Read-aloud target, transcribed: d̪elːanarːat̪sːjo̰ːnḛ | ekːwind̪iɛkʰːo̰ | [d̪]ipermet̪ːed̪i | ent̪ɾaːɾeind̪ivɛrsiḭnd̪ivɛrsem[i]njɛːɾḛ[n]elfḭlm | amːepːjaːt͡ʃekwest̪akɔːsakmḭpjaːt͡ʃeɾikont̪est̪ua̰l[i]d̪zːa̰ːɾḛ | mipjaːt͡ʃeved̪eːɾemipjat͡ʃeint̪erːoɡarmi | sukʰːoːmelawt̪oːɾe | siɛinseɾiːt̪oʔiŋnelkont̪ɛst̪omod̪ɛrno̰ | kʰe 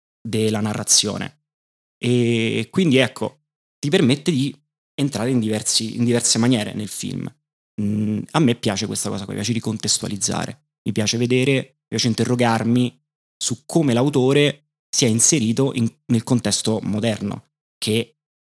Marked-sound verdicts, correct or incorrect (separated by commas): incorrect, incorrect, correct, correct